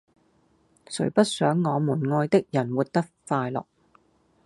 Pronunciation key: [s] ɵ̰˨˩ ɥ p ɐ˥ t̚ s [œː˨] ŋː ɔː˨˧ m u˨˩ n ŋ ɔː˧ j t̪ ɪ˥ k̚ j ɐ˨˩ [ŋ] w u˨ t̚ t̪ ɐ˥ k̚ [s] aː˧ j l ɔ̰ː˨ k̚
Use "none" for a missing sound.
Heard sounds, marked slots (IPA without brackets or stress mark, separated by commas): s, œː˨˥, n, f